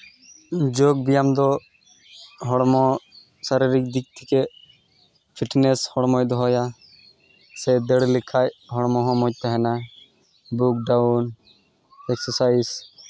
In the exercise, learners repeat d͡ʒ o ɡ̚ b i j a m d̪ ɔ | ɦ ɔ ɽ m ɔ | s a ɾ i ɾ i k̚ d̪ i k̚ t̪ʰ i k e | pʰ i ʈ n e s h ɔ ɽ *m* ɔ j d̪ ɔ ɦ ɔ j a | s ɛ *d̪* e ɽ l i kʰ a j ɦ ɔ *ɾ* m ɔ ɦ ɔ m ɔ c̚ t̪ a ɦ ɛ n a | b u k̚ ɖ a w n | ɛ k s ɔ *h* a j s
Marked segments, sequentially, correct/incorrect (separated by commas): correct, correct, incorrect, incorrect